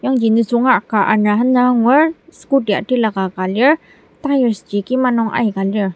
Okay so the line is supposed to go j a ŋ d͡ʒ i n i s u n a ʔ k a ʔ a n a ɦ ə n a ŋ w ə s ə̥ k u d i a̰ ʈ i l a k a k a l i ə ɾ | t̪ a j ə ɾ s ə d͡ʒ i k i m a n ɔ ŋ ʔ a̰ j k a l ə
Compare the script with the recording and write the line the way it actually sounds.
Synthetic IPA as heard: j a ŋ d͡ʒ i n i s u ŋ a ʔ k a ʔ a n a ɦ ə n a ŋ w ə s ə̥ k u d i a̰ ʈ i l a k a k a l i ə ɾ | t̪ a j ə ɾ s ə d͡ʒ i k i m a n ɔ ŋ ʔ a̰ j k a l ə

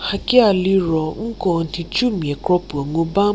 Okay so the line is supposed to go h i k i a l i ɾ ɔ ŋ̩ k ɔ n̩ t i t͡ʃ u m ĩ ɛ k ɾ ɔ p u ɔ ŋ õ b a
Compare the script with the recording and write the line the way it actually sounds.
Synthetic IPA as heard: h a k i a l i ɾ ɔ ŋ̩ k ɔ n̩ t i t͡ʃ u m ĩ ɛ k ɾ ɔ p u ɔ ŋ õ b a

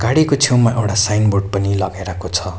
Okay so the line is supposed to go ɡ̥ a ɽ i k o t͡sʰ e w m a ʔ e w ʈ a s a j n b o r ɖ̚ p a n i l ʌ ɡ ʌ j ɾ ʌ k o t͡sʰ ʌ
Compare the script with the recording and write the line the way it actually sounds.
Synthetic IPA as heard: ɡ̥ a ɽ i k o t͡sʰ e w m a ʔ e w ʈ a s a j n b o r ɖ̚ p ʌ n i l ʌ ɡ a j ɾ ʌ k o t͡sʰ ʌ

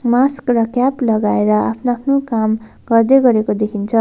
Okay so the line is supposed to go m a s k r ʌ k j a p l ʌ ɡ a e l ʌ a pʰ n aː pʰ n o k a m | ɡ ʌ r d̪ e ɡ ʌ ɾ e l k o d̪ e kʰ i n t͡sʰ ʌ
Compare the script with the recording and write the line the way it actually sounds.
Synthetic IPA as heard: m a s k r ʌ k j a p l ʌ ɡ a e ɾ ʌ a pʰ n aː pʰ n o k a m | ɡ ʌ r d̪ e ɡ ʌ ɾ e k o d̪ e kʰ i n t͡sʰ ʌ

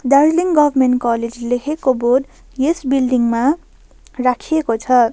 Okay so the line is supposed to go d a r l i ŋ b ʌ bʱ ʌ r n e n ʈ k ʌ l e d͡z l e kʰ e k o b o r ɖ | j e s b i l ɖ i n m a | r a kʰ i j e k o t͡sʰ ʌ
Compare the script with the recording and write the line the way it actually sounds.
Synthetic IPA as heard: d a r l i ŋ ɡ ʌ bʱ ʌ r m e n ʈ k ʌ l e d͡z l e kʰ e k o b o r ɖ | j e s b i l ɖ i ŋ m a | r a kʰ i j e k o t͡sʰ ʌ

